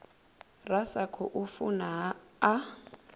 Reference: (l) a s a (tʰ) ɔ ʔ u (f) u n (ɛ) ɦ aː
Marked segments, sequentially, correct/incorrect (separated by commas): incorrect, incorrect, correct, incorrect